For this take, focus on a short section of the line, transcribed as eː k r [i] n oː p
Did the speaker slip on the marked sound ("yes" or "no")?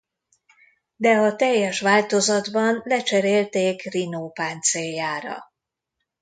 no